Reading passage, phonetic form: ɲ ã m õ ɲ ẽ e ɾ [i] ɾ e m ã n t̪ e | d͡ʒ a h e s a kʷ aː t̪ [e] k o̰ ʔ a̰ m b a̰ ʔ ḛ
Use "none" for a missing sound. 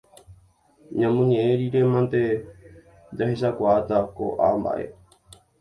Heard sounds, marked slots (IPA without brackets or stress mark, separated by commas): i, a